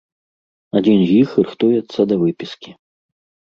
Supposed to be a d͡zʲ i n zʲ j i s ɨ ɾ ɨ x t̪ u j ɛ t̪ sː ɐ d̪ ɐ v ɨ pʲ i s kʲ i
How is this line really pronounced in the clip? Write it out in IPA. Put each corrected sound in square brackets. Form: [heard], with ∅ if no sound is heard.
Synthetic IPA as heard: a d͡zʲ i n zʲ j i [x] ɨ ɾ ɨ x t̪ u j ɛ t̪ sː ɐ d̪ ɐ v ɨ pʲ i s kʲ i